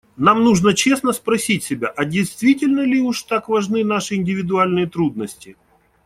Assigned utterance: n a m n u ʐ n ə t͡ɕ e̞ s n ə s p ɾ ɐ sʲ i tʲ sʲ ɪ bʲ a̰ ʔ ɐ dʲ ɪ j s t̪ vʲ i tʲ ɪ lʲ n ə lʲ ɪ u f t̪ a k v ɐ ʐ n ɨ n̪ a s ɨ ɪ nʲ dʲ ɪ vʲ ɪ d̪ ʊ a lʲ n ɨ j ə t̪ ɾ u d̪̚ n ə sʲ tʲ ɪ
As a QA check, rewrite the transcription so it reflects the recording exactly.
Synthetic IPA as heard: n a m n u ʐ n ə t͡ɕ e̞ s n ə s p ɾ ɐ sʲ i tʲ sʲ ɪ bʲ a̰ ʔ ɐ dʲ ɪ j s t̪ vʲ i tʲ ɪ lʲ n ə lʲ ɪ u ʂ t̪ a k v ɐ ʐ n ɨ n̪ a ʂ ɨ ɪ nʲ dʲ ɪ vʲ ɪ d̪ ʊ a lʲ n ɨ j ə t̪ ɾ u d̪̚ n ə sʲ tʲ ɪ